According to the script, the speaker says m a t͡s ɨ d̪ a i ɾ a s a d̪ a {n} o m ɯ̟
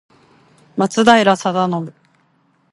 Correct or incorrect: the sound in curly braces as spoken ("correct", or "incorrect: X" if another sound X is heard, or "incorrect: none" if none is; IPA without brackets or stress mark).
correct